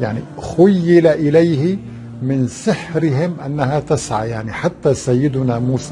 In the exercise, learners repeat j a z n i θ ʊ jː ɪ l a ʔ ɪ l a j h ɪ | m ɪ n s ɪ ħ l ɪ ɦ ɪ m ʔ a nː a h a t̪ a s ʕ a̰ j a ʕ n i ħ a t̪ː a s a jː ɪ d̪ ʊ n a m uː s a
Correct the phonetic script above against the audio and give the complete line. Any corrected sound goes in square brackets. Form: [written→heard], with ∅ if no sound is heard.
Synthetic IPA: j a [z→ʕ] n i [θ→x] ʊ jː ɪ l a ʔ ɪ l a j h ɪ | m ɪ n s ɪ ħ [l→ɾ] ɪ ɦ ɪ m ʔ a nː a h a t̪ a s ʕ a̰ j a ʕ n i ħ a t̪ː a s a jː ɪ d̪ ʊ n a m uː s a